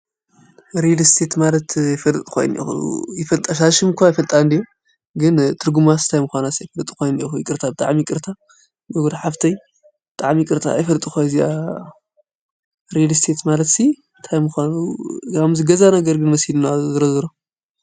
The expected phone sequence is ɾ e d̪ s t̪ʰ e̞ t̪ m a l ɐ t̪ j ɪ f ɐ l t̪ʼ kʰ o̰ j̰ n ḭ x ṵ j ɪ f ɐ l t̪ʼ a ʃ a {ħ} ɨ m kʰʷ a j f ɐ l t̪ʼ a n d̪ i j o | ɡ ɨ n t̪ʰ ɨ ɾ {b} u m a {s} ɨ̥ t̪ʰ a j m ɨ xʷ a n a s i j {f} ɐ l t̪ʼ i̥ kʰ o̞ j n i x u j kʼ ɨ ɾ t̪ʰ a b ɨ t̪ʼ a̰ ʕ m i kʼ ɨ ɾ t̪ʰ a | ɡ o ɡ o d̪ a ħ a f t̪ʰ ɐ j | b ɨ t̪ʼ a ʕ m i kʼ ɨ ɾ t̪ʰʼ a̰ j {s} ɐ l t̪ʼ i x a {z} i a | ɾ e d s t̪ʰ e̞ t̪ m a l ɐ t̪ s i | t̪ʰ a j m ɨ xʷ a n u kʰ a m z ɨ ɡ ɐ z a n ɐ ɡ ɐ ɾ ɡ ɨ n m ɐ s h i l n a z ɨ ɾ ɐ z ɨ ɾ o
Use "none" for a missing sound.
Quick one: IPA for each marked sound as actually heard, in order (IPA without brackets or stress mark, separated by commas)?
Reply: ʃ, ɡ, s, f, f, z